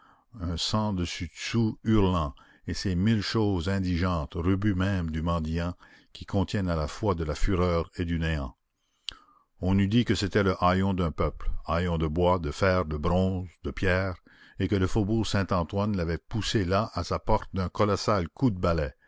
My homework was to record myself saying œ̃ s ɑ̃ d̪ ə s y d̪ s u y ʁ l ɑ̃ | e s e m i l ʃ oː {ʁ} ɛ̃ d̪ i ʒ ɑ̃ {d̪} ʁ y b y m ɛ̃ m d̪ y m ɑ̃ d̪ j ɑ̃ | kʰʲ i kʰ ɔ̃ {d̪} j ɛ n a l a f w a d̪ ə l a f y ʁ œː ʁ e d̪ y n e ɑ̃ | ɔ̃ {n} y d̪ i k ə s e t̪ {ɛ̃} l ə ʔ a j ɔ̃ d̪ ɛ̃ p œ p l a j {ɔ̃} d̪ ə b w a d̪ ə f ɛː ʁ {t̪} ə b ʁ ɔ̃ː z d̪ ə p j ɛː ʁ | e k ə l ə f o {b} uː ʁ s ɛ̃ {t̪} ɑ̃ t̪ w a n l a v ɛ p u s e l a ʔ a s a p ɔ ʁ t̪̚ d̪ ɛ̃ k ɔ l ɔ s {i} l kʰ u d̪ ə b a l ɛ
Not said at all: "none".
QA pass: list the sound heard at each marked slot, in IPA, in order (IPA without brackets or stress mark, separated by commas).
z, t̪, t̪, n, ɛ, ɔ̃, d̪, b, t̪, a